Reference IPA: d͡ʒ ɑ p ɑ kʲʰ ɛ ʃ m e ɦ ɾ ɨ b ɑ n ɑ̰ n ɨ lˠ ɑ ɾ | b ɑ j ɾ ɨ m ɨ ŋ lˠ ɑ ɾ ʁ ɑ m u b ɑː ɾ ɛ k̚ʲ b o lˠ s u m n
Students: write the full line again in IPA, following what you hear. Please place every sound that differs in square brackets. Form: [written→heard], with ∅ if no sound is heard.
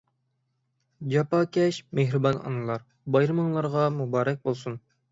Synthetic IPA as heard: d͡ʒ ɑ p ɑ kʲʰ ɛ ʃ m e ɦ ɾ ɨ b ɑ n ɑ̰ n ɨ lˠ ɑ ɾ | b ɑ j ɾ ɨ m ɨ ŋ lˠ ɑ ɾ ʁ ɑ m u b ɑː ɾ ɛ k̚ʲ b o lˠ s u [m→∅] n